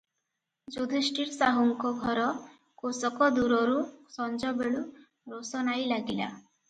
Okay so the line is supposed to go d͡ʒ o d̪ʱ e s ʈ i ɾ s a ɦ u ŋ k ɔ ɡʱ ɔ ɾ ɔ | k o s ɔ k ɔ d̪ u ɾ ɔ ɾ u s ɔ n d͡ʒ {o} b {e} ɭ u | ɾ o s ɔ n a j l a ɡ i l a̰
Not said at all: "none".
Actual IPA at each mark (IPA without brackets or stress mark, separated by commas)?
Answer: ɔ, e